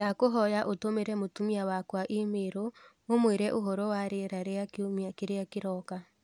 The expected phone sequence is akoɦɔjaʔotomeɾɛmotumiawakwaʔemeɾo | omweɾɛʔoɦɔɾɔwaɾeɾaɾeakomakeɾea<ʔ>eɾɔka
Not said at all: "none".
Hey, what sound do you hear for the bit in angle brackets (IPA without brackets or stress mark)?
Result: k